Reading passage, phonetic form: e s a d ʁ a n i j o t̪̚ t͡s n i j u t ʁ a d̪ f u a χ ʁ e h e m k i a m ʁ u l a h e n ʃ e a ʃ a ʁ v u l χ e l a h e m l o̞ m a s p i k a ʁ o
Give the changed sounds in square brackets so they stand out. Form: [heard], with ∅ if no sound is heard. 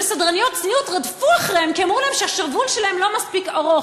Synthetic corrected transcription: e s a d ʁ a n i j o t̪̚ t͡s n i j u t ʁ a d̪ f u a χ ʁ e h e m k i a m ʁ u l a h e [m] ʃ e a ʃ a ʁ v u l [ʃ] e l a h e m l o̞ m a s p i k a ʁ o